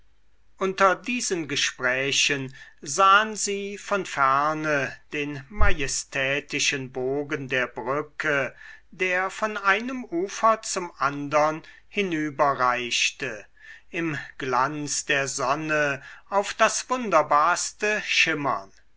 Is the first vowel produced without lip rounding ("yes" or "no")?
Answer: no